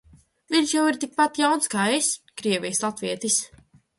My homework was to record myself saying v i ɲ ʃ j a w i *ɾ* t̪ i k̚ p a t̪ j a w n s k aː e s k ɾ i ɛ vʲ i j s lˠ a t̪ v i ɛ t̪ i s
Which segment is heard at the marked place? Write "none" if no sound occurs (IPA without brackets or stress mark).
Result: ɾ